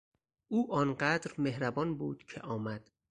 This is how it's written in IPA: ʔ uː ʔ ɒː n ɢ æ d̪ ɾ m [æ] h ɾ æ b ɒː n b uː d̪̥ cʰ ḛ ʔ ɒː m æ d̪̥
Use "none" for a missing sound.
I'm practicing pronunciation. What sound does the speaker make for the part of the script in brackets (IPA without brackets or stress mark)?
e